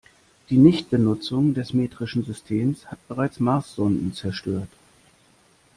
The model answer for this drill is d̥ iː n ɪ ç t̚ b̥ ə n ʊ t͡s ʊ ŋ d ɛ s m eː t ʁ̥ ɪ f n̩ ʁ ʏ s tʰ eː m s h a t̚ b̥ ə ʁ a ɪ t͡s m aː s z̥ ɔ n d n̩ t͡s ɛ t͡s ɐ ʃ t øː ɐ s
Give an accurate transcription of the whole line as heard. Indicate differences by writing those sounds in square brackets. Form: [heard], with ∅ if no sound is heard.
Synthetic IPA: d̥ iː n ɪ ç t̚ b̥ ə n ʊ t͡s ʊ ŋ d ɛ s m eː t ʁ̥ ɪ [ʃ] n̩ [z] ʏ s tʰ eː m s h a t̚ b̥ ə ʁ a ɪ t͡s m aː s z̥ ɔ n d n̩ t͡s ɛ [∅] ɐ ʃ t øː ɐ [t]